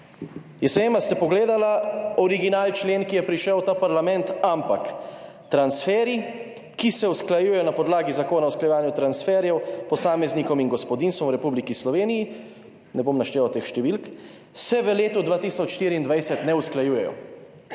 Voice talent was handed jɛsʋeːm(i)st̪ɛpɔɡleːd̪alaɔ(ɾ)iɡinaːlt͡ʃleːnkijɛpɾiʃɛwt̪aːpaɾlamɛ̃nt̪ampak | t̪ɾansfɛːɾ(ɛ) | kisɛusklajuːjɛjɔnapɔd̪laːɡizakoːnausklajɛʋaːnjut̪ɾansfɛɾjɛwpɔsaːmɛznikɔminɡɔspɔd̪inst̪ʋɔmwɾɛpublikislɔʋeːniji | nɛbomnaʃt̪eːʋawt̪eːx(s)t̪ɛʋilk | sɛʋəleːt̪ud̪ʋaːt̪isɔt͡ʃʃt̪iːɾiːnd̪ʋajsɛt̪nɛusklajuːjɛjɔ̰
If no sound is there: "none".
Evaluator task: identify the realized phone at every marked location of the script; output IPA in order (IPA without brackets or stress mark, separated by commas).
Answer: a, ɾ, i, ʃ